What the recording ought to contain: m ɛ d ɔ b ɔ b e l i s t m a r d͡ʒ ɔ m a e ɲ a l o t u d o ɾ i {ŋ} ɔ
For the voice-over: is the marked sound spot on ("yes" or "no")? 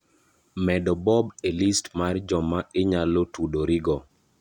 no